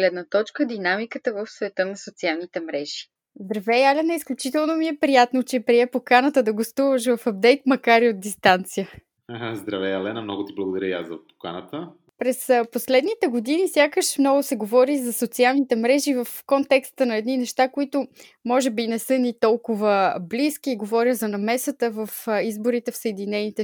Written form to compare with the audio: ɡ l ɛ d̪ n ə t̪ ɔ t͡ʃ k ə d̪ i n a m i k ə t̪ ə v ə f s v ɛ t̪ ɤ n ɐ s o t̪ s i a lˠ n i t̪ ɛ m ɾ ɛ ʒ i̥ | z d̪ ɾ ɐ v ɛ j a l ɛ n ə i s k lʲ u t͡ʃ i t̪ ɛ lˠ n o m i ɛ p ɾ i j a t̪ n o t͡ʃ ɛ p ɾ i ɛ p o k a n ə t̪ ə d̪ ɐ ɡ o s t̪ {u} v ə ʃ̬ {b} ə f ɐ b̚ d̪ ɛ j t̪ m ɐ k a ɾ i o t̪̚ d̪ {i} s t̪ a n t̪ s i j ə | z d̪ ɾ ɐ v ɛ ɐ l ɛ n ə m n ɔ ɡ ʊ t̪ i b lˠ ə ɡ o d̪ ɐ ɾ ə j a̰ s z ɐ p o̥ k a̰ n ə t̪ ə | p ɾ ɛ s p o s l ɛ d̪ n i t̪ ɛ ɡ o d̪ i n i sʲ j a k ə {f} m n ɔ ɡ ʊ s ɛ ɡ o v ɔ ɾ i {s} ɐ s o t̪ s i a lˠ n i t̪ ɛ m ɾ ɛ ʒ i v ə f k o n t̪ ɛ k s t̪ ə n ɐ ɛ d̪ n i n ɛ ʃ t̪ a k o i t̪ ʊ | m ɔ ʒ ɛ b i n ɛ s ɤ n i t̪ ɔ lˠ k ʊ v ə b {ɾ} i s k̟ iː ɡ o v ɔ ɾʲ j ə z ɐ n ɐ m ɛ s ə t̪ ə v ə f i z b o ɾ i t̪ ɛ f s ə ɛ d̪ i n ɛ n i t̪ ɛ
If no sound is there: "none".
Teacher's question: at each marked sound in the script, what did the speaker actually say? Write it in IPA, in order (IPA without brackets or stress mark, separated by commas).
u, v, i, ʃ, z, l